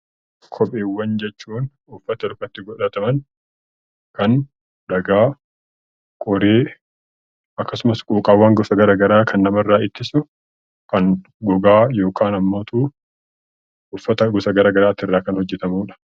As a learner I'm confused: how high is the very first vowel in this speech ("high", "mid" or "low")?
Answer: mid